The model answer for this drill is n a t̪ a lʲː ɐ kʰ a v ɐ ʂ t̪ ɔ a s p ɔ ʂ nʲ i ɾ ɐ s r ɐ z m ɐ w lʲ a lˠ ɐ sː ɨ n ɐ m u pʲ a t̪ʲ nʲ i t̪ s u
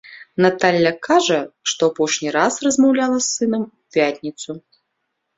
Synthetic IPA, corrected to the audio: n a t̪ a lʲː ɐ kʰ a ʐ ɐ ʂ t̪ ɔ a p ɔ ʂ nʲ i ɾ a s r ɐ z m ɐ w lʲ a lˠ ɐ sː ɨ n ɐ m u pʲ a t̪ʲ nʲ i t̪ s u